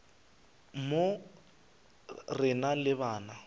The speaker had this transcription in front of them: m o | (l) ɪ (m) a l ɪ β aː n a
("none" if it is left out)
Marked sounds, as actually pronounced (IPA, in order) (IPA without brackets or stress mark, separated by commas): r, n